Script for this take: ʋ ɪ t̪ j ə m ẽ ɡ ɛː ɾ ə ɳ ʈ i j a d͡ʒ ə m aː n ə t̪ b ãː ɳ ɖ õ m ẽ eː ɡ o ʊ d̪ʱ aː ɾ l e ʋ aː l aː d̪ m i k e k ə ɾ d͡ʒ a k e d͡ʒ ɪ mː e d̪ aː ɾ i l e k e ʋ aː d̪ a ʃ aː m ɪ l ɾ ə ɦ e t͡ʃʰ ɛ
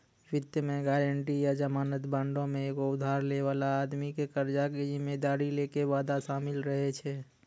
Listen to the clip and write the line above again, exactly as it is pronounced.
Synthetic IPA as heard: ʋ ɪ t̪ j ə m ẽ ɡ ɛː ɾ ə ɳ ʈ i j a d͡ʒ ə m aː n ə t̪ b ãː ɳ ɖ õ m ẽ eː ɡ o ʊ d̪ʱ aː ɾ l e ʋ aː l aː d̪ m i k e k ə ɾ d͡ʒ a k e d͡ʒ ɪ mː e d̪ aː ɾ i l e k e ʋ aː d̪ a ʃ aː m ɪ l ɾ ə ɦ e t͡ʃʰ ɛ